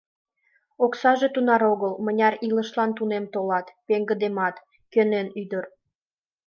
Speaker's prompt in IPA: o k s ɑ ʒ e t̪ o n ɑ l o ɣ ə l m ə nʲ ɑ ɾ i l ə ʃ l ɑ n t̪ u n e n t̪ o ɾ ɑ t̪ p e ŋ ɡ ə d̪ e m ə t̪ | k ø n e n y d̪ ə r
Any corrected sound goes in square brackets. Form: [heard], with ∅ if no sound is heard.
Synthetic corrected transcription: o k s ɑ ʒ e t̪ [u] n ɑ [ɾ] o ɣ ə l m ə nʲ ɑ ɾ i l ə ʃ l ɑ n t̪ u n e [m] t̪ o [l] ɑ t̪ p e ŋ ɡ ə d̪ e m [ɑ] t̪ | k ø n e n y d̪ ə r